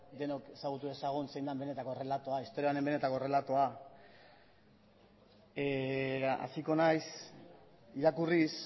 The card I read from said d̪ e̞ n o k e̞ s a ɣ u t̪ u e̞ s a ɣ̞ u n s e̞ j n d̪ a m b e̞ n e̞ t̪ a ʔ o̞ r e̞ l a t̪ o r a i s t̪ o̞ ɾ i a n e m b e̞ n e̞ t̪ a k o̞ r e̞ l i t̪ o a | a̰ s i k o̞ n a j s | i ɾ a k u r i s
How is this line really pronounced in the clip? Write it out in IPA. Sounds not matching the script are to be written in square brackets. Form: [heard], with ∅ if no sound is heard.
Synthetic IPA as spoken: d̪ e̞ n o k e̞ s a ɣ u t̪ u e̞ s a ɣ̞ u n s e̞ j n d̪ a m b e̞ n e̞ t̪ a [k] o̞ r e̞ l a t̪ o [∅] a i s t̪ o̞ ɾ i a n e m b e̞ n e̞ t̪ a k o̞ r e̞ l [a] t̪ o a | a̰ s i k o̞ n a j s | i ɾ a k u r i s

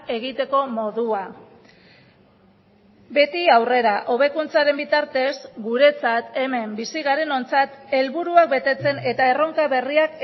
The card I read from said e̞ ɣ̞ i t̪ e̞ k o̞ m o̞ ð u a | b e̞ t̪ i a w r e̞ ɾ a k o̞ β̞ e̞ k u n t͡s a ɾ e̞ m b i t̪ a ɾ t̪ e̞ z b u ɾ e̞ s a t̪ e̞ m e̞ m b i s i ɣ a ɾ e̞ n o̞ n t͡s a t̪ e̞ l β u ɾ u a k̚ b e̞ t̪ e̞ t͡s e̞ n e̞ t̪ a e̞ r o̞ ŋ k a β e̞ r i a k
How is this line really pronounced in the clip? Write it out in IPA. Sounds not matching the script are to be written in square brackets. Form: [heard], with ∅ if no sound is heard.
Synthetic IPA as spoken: e̞ ɣ̞ i t̪ e̞ k o̞ m o̞ ð u a | b e̞ t̪ i a w r e̞ ɾ a [ʔ] o̞ β̞ e̞ k u n t͡s a ɾ e̞ m b i t̪ a ɾ t̪ e̞ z [ɡ] u ɾ e̞ [t͡s] a t̪ e̞ m e̞ m b i s i ɣ a ɾ e̞ n o̞ n t͡s a t̪ e̞ l β u ɾ u a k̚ b e̞ t̪ e̞ t͡s e̞ n e̞ t̪ a e̞ r o̞ ŋ k a β e̞ r i a k

